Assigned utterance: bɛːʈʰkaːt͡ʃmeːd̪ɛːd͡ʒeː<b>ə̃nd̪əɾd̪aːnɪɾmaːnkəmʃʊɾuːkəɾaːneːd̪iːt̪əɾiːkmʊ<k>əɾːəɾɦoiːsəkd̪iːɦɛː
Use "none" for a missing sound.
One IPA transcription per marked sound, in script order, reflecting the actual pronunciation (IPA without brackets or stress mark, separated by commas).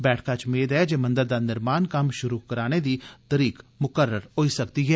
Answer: m, k